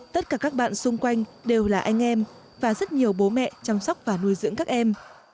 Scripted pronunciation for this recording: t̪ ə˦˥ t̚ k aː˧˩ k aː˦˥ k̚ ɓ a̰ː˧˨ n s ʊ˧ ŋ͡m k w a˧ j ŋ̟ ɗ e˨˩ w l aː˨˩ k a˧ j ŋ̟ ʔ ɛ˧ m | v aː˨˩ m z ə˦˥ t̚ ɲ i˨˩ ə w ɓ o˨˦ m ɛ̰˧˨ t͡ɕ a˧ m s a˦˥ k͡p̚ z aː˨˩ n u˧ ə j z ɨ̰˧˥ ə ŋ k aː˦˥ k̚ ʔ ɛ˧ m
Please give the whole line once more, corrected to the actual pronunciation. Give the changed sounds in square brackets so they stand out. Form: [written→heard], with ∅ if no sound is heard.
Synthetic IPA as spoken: t̪ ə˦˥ t̚ k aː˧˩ k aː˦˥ k̚ ɓ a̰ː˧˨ n s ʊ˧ ŋ͡m k w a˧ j ŋ̟ ɗ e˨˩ w l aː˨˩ [k→ʔ] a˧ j ŋ̟ ʔ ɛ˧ m | v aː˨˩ [m→∅] z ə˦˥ t̚ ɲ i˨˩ ə w ɓ o˨˦ m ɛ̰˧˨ t͡ɕ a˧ m s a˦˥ k͡p̚ [z→v] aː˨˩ n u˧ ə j z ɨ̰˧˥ ə ŋ k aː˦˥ k̚ ʔ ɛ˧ m